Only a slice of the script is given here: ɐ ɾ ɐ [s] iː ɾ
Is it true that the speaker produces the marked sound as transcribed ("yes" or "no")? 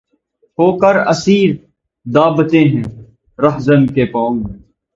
yes